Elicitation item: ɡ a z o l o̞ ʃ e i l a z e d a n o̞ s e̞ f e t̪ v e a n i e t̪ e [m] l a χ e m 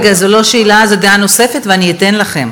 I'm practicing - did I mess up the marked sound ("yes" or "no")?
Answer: yes